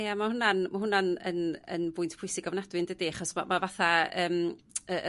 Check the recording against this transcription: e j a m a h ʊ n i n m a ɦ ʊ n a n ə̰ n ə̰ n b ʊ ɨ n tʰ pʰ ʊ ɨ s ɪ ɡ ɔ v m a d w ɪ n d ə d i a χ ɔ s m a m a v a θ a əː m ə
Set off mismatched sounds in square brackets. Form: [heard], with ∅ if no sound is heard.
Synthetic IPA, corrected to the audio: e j a m a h ʊ n [a] n m a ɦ ʊ n a n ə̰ n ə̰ n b ʊ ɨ n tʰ pʰ ʊ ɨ s ɪ ɡ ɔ v [n] a d w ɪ n d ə d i a χ ɔ s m a m a v a θ a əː m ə